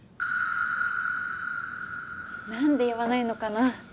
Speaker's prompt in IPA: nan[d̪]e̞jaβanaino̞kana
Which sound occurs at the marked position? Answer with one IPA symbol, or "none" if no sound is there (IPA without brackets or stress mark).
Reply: d̪